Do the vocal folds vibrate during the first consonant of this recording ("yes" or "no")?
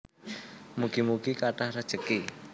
yes